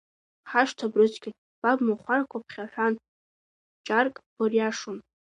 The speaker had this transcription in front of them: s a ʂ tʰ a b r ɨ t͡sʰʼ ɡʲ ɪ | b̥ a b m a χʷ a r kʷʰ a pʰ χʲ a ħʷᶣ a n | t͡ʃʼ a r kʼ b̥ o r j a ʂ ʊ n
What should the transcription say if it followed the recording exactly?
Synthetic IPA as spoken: ħ a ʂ tʰ a b r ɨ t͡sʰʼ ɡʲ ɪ | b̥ a b m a χʷ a r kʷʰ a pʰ χʲ a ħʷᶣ a n | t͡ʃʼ a r kʼ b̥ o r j a ʂ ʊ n